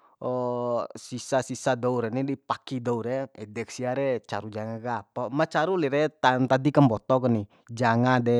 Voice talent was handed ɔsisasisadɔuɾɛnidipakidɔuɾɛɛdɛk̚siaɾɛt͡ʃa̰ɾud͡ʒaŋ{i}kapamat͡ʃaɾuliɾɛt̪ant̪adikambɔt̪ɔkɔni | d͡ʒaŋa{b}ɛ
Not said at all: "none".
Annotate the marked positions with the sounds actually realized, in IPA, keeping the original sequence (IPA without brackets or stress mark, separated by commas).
a, d